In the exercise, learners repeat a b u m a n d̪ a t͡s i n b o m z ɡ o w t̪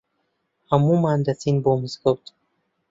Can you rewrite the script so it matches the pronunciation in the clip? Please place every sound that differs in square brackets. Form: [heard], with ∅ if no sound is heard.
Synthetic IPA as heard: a [m] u m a n d̪ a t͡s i n b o m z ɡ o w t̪